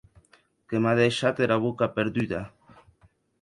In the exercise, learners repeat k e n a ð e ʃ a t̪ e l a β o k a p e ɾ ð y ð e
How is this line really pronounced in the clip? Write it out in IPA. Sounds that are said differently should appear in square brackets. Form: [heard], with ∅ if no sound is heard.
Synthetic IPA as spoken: k e [m] a ð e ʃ a t̪ e [ɾ] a β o k a p e ɾ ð y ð [a]